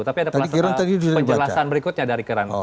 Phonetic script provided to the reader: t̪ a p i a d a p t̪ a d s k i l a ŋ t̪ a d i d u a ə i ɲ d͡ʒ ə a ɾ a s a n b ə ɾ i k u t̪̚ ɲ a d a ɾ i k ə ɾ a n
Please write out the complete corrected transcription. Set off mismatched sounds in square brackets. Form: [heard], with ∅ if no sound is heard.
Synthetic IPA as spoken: t̪ a p i a d a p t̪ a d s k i [ɾ] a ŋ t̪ a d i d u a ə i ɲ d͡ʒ ə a [l] a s a n b ə ɾ i k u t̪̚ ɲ a d a ɾ i k ə ɾ a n

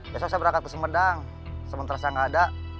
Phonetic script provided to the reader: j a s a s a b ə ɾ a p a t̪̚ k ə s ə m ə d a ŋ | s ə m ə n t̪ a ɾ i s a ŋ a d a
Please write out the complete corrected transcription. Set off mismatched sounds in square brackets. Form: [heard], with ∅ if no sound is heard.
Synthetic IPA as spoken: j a s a s a b ə ɾ a [k] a t̪̚ k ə s ə m ə d a ŋ | s ə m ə n t̪ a ɾ [a] s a ŋ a d a

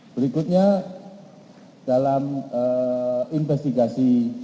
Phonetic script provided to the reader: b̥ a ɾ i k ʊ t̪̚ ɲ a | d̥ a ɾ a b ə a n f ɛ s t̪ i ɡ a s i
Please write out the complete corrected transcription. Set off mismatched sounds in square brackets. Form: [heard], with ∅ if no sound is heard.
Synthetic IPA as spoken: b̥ [ə] ɾ i k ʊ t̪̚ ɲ a | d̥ a [l] a [m] ə [i] n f ɛ s t̪ i ɡ a s i

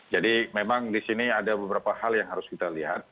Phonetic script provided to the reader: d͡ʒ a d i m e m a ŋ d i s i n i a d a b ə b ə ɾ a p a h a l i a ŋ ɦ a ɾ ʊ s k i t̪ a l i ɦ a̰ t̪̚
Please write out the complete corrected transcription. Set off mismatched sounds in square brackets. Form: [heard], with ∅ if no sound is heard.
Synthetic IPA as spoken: d͡ʒ a d i m e m a ŋ d i s i n i a d a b ə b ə ɾ a p a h a l [j] a ŋ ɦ a ɾ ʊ s k i t̪ a l i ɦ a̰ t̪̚

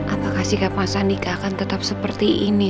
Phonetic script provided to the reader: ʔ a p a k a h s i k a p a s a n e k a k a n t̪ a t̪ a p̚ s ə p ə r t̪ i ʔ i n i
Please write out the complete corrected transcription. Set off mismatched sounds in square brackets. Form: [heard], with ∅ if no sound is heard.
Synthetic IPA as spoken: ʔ a p a k a h s i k a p a s a n [i] k a k a n t̪ [ə] t̪ a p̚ s ə p ə r t̪ i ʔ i n i

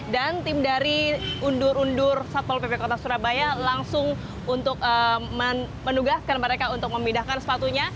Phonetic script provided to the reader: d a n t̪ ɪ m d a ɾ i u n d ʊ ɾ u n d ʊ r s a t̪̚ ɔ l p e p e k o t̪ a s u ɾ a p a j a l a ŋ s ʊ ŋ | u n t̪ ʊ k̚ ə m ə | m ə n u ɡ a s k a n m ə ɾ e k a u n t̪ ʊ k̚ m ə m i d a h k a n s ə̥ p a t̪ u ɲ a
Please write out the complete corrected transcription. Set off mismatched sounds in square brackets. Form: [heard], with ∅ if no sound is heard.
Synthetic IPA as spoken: d a n t̪ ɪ m d a ɾ i u n d ʊ ɾ u n d ʊ r s a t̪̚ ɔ l p e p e k o t̪ a s u ɾ a [b] a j a l a ŋ s ʊ ŋ | u n t̪ ʊ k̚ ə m ə | m ə n u ɡ a s k a n m ə ɾ e k a u n t̪ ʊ k̚ m ə m i d a h k a n s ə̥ p a t̪ u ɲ a

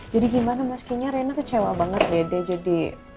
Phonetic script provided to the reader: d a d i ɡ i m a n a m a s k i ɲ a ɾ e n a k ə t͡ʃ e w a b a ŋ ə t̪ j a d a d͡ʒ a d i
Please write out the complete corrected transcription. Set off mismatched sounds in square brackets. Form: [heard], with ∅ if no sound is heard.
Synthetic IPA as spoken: [d͡ʒ] a d i ɡ i m a n a m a s k i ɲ a ɾ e n a k ə t͡ʃ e w a b a ŋ ə t̪ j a d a d͡ʒ a d i

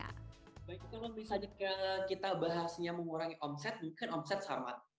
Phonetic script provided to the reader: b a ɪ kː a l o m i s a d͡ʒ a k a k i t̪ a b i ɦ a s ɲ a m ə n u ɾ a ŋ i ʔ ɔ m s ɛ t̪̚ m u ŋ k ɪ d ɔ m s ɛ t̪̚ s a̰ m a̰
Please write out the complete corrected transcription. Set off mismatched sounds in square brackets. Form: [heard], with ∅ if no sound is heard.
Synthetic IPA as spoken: b a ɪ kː a l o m i s a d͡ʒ a k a k i t̪ a b [a] ɦ a s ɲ a m ə [ŋ] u ɾ a ŋ i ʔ ɔ m s ɛ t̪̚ m u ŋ k ɪ [n] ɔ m s ɛ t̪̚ s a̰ m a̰

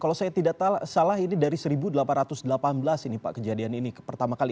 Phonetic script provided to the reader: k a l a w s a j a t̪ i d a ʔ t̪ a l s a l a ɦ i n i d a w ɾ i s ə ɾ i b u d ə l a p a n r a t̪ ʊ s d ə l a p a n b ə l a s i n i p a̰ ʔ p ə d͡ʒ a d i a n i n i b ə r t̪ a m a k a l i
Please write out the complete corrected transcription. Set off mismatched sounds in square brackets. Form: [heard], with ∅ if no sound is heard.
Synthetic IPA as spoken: k a l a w s a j a t̪ i d a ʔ t̪ a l s a l a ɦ i n i d a [∅] ɾ i s ə ɾ i b u d ə l a p a n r a t̪ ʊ s d ə l a p a n b ə l a s i n i p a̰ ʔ [k] ə d͡ʒ a d i a n i n i [p] ə r t̪ a m a k a l i

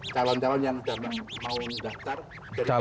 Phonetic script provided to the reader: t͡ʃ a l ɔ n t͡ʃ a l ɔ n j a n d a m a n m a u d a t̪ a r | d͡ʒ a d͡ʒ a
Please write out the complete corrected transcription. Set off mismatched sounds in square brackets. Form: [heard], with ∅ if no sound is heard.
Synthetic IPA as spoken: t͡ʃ a l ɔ n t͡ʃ a l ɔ n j a [ŋ] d a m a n m a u d a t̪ a r | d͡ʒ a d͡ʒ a

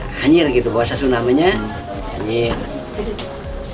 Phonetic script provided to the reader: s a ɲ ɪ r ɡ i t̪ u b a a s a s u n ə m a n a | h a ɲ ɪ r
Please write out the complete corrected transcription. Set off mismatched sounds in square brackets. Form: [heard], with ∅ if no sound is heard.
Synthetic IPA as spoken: [h] a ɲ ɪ r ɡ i t̪ u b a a s a s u n [a] m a [ɲ] a | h a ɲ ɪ r

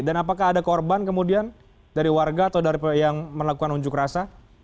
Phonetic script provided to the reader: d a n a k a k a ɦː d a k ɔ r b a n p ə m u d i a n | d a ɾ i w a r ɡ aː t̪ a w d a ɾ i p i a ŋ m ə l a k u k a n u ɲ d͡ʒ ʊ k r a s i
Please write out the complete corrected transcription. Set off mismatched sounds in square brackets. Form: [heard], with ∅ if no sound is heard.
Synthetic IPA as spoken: d a n a [p] a k a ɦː d a k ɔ r b a n [k] ə m u d i a n | d a ɾ i w a r ɡ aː t̪ a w d a ɾ i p [j] a ŋ m ə l a k u k a n u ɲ d͡ʒ ʊ k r a s [a]

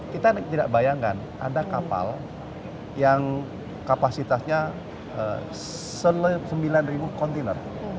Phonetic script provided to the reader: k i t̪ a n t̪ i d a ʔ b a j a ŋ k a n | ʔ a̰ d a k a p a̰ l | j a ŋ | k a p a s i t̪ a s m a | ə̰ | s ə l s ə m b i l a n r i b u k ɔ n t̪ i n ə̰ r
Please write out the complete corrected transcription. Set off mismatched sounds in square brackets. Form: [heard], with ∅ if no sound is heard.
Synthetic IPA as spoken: k i t̪ a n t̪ i d a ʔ b a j a ŋ k a n | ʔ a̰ d a k a p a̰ l | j a ŋ | k a p a s i t̪ a s [ɲ] a | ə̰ | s ə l s ə m b i l a n r i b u k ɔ n t̪ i n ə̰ r

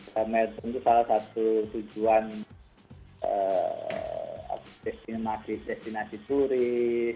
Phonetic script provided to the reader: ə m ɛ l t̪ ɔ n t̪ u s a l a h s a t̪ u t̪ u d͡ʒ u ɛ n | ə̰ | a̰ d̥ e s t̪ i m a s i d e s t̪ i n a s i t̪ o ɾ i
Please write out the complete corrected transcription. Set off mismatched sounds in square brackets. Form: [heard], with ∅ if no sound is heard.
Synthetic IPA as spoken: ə m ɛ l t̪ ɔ n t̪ u s a l a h s a t̪ u t̪ u d͡ʒ u [a] n | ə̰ | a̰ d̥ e s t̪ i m a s i d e s t̪ i n a s i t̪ [u] ɾ i

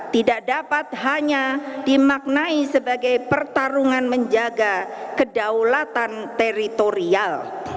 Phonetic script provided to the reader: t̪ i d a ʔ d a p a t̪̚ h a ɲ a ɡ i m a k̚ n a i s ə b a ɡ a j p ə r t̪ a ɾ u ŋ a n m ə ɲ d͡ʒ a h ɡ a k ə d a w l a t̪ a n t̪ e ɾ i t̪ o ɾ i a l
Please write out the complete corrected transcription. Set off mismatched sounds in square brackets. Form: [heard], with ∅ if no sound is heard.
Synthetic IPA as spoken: t̪ i d a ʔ d a p a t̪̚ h a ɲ a [d] i m a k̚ n a i s ə b a ɡ a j p ə r t̪ a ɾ u ŋ a n m ə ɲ d͡ʒ a [∅] ɡ a k ə d a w l a t̪ a n t̪ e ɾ i t̪ o ɾ i a l

